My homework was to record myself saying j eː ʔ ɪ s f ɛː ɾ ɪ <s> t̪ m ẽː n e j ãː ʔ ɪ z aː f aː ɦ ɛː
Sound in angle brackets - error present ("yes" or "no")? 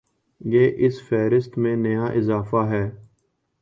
no